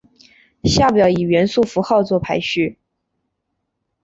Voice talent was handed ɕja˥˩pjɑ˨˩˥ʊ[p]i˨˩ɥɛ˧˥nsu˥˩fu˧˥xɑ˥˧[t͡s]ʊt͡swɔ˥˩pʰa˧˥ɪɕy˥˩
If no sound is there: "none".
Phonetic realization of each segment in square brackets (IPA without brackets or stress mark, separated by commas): none, none